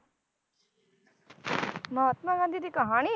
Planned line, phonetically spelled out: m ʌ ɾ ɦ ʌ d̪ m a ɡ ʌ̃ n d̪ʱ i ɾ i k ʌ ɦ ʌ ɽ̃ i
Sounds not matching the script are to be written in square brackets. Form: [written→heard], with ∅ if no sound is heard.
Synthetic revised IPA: m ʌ [ɾ→∅] ɦ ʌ [d̪→t̪] m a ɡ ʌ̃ n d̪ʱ i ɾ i k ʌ ɦ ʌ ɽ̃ i